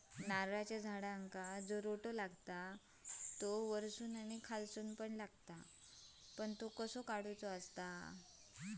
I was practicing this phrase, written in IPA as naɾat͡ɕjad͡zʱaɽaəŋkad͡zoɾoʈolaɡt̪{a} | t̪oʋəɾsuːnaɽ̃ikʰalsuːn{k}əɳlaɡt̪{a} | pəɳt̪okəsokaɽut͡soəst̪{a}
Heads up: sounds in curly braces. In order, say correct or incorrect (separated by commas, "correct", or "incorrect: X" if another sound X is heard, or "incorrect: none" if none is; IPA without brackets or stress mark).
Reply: correct, incorrect: p, correct, correct